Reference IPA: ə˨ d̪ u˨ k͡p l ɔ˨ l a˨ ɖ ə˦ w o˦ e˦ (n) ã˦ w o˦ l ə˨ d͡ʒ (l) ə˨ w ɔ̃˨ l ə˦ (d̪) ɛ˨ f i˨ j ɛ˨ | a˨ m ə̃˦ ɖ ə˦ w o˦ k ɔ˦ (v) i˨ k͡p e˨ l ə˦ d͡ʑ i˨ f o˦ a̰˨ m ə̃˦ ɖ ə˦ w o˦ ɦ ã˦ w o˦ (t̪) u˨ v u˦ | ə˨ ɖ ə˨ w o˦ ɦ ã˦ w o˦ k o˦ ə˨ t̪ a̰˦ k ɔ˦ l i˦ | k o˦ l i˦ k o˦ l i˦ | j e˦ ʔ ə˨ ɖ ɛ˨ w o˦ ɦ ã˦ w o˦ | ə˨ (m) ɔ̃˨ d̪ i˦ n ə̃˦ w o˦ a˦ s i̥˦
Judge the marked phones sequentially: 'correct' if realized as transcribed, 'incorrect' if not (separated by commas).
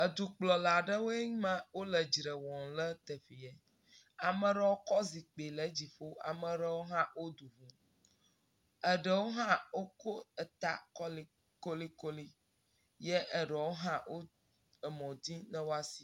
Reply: incorrect, incorrect, incorrect, incorrect, incorrect, correct